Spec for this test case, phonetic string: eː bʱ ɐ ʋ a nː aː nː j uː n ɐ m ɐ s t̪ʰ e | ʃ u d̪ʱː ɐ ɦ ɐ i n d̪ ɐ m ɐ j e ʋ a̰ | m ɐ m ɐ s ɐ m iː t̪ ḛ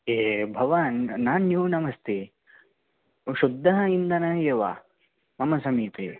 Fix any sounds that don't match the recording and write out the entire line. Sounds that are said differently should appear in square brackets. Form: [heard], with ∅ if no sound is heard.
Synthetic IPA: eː bʱ ɐ ʋ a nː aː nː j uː n ɐ m ɐ s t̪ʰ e | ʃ u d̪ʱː ɐ ɦ ɐ i n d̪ ɐ [n] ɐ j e ʋ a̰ | m ɐ m ɐ s ɐ m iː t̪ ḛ